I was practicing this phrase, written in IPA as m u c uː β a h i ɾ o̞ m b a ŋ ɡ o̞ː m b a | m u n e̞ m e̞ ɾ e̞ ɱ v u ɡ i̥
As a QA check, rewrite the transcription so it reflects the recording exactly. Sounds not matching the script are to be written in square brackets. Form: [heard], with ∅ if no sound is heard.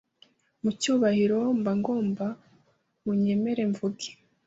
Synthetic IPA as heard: m u c uː β a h i ɾ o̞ m b a ŋ ɡ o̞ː m b a | m u [ɲ] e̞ m e̞ ɾ e̞ ɱ v u ɡ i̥